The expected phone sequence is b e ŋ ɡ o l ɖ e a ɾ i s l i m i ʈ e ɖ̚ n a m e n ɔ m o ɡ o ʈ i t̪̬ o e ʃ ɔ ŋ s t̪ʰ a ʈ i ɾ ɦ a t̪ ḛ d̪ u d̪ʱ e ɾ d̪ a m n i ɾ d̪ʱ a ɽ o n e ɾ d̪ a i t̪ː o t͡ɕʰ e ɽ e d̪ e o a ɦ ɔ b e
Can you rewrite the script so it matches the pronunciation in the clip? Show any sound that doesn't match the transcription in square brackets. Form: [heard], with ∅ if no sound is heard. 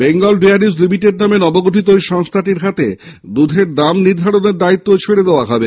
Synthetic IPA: b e ŋ ɡ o l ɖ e a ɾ i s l i m i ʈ e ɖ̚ n a m e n ɔ [b] o ɡ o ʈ i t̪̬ o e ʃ ɔ ŋ s t̪ʰ a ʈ i ɾ ɦ a t̪ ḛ d̪ u d̪ʱ e ɾ d̪ a m n i ɾ d̪ʱ a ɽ o n e ɾ d̪ a i t̪ː o t͡ɕʰ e ɽ e d̪ e o a ɦ ɔ b e